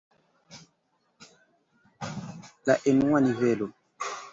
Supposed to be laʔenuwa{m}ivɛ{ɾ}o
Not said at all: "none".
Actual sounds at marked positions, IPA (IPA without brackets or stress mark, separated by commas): n, l